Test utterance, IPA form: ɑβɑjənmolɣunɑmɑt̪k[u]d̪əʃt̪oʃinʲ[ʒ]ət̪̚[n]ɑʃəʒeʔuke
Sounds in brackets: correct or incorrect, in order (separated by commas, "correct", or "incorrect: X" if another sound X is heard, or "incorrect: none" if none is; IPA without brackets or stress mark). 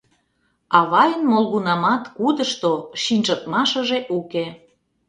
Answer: correct, correct, incorrect: m